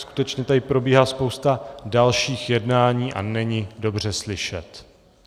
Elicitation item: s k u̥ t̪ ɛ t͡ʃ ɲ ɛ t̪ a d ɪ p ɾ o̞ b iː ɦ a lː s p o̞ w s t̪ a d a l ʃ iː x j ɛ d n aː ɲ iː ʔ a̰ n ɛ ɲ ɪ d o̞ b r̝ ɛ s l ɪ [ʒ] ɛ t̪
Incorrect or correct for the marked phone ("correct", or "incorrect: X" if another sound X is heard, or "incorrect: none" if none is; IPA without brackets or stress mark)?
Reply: incorrect: ʃ